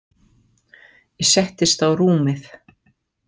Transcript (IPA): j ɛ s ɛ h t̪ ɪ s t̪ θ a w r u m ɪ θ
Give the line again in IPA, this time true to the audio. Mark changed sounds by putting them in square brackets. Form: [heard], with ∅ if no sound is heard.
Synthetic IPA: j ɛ s ɛ h t̪ ɪ s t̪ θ a w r [uː] m ɪ θ

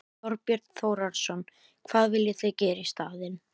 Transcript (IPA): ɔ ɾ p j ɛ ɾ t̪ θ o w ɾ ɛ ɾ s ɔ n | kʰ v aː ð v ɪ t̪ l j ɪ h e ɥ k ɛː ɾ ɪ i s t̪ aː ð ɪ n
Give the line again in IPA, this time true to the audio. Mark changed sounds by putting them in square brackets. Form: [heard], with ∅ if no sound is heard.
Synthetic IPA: ɔ ɾ p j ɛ ɾ t̪ θ o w ɾ [a] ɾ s ɔ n | kʰ v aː ð v ɪ [∅] l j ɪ [θ] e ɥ [c] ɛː ɾ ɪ i s t̪ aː ð ɪ n

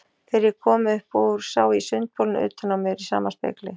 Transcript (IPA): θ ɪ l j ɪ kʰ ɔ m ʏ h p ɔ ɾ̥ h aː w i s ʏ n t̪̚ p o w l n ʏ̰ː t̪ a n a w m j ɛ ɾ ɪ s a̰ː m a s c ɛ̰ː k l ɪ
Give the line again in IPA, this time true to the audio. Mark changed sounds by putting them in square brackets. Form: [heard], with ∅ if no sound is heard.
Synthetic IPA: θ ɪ [ɾ] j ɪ kʰ [ɔː] m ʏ h p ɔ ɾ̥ [s] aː w i s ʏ n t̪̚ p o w l n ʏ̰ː t̪ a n a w m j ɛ ɾ [i] s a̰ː m a s [p] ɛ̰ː k l ɪ

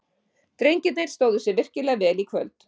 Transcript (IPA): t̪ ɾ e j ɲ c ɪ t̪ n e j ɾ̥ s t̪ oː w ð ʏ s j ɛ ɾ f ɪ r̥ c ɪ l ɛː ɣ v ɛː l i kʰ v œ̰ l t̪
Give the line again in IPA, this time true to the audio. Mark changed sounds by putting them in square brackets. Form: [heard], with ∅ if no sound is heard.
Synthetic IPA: t̪ ɾ e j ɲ c ɪ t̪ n e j ɾ̥ s t̪ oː w ð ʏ s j ɛ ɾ [v] ɪ r̥ c ɪ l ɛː ɣ v ɛː l i kʰ v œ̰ l t̪

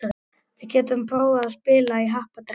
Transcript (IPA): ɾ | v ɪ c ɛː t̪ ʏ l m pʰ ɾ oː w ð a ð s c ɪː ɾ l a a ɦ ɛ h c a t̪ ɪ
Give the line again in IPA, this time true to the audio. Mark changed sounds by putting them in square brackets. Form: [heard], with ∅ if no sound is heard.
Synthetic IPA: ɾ | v ɪ c ɛː t̪ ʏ [∅] m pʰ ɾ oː w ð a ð s [p] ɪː [∅] l a [i] ɦ [a] h [p] a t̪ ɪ

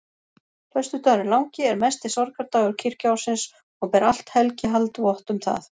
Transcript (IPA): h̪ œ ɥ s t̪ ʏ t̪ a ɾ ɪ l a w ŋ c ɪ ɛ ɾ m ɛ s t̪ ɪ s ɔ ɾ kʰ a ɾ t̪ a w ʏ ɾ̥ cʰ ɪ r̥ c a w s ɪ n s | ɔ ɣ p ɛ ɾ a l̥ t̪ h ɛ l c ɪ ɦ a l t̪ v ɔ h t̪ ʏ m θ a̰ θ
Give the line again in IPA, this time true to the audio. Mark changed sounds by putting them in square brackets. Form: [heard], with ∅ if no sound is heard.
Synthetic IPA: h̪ œ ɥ s t̪ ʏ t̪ a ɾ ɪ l a w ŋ c ɪ ɛ ɾ m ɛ s t̪ ɪ s ɔ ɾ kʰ a ɾ t̪ a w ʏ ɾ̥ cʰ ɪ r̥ c a w s ɪ n s | ɔ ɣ p ɛ ɾ a l̥ t̪ h ɛ l c ɪ ɦ a l t̪ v ɔ h t̪ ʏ m θ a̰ θ

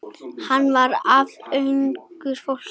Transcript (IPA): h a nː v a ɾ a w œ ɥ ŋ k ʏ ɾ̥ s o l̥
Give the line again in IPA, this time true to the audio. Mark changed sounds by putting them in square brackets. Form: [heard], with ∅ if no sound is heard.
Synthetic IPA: h a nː v a ɾ a [v] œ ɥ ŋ k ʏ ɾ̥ [f] o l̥

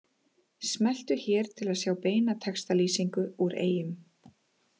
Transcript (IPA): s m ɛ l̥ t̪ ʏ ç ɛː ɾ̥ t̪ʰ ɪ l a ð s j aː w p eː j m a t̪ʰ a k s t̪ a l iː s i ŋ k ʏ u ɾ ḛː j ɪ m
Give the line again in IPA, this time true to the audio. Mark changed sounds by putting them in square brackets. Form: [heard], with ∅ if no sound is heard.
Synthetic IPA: s m ɛ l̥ t̪ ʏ ç ɛː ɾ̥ t̪ʰ ɪ l a ð s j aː w p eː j [n] a t̪ʰ [ɛ] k s t̪ a l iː s i ŋ k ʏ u ɾ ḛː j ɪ m

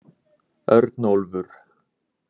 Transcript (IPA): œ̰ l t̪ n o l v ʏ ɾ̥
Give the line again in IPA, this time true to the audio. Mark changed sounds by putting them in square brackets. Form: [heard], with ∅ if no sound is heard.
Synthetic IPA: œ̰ [ɾ] t̪ n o l v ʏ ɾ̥

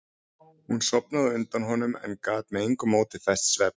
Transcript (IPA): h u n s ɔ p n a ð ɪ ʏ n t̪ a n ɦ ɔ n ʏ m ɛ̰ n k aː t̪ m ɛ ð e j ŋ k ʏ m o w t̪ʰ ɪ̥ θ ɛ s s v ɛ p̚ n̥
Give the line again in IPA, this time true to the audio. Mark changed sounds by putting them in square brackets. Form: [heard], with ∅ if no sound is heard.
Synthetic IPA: h u n s ɔ p n a ð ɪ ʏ n t̪ a n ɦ ɔ n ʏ m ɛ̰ n k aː t̪ m ɛ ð e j ŋ k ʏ m o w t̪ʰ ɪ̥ θ ɛ s s v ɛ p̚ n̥

